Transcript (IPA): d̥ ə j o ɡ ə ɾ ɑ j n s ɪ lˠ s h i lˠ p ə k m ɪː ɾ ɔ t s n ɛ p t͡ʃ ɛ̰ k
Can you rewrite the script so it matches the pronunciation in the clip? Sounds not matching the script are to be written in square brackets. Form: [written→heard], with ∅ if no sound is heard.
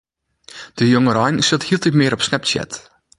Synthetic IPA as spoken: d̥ ə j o [ɡ→ŋ] ə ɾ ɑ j n s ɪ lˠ [s→t] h i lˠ [p→t] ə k m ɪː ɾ ɔ [t→p] s n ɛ p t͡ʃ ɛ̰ [k→t]